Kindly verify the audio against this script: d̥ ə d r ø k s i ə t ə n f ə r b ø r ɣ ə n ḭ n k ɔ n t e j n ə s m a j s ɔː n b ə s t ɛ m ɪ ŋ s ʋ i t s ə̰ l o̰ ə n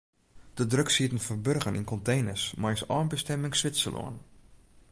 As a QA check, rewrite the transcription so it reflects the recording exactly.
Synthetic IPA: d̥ ə d r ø k s i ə t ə n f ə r b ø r ɣ ə n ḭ n k ɔ n t e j n ə s m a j s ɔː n b ə s t ɛ m ɪ ŋ s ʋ ɪ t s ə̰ l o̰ ə n